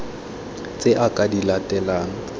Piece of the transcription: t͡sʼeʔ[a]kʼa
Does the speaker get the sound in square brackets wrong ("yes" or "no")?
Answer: no